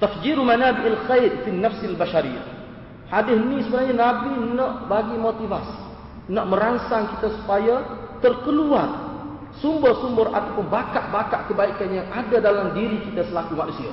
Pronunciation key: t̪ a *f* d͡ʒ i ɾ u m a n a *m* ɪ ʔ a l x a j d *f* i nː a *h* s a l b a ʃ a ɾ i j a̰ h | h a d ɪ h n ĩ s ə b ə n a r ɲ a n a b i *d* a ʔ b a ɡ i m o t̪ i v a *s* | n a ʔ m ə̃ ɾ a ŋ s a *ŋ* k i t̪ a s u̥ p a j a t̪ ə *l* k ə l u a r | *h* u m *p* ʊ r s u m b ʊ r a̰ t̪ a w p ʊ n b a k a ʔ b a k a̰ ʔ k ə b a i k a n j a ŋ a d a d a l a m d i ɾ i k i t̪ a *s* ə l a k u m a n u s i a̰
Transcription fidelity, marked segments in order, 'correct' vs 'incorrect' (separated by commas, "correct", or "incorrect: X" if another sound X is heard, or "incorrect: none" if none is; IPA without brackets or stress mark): correct, incorrect: b, correct, incorrect: f, incorrect: n, correct, correct, incorrect: r, incorrect: s, incorrect: b, correct